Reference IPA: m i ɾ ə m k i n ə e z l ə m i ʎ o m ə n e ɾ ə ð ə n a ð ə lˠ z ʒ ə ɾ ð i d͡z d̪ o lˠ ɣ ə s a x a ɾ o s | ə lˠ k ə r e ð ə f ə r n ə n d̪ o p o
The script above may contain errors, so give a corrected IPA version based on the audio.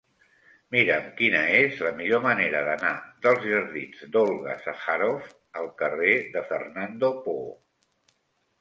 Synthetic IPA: m i ɾ ə m k i n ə e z l ə m i ʎ o m ə n e ɾ ə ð ə n a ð ə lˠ z ʒ ə ɾ ð i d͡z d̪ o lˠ ɣ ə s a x a ɾ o f | ə lˠ k ə r e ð ə f ə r n a n d̪ o p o